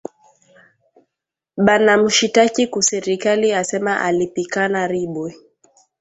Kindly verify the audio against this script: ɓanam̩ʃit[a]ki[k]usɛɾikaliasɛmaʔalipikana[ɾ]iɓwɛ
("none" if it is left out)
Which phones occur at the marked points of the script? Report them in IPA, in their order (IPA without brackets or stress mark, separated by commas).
a, k, ɾ